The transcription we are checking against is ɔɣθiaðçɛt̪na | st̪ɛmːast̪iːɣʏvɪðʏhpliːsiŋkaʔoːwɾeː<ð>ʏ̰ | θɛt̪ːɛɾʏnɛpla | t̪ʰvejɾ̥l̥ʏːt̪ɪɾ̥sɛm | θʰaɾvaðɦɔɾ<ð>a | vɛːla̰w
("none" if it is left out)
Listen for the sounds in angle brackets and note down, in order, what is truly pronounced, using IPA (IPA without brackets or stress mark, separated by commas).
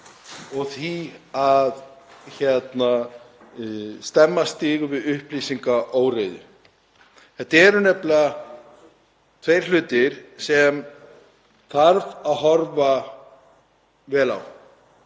ð, v